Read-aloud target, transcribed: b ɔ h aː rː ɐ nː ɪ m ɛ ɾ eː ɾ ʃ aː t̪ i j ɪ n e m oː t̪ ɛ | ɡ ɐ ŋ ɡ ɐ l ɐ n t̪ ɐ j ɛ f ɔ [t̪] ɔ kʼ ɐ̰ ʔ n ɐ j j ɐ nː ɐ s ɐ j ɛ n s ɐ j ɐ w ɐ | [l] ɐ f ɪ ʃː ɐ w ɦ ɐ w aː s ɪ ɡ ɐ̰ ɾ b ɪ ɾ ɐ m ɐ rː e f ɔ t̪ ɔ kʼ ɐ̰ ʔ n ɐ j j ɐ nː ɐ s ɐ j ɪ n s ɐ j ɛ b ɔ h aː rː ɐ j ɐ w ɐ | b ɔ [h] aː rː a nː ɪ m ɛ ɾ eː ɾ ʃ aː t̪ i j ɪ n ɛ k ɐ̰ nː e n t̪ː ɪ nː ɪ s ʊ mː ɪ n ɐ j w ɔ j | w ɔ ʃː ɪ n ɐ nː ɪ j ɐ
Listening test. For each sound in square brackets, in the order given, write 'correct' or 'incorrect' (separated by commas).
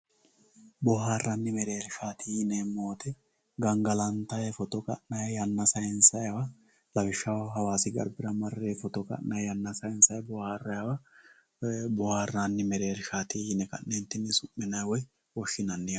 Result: correct, correct, correct